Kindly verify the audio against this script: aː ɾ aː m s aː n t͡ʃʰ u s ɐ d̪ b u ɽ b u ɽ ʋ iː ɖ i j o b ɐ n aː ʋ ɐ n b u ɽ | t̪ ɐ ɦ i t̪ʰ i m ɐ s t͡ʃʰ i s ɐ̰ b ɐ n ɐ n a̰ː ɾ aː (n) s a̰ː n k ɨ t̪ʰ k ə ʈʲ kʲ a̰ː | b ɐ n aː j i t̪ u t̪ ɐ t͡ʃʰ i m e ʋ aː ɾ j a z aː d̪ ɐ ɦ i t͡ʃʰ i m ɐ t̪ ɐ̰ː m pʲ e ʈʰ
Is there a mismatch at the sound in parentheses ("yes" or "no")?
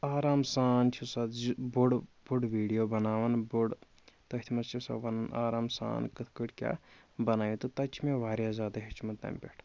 yes